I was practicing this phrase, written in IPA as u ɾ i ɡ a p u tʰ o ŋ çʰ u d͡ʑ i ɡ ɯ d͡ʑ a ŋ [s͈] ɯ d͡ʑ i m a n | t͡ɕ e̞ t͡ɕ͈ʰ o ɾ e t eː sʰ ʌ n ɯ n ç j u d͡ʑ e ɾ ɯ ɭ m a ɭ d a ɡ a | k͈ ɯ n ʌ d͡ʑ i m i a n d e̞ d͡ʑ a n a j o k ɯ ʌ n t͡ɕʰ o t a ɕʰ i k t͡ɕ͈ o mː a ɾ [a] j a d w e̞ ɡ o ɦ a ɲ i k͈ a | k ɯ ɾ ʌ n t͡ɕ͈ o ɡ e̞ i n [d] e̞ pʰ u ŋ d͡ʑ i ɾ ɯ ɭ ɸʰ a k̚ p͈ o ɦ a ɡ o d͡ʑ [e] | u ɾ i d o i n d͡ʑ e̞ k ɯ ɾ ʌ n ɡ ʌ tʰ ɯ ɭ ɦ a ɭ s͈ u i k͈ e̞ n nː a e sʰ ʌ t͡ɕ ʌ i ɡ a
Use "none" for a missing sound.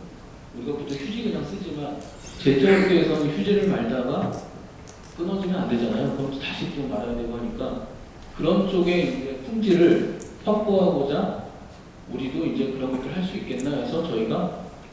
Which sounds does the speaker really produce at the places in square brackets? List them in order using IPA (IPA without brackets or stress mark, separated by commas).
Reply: s͈, a, d͡ʑ, a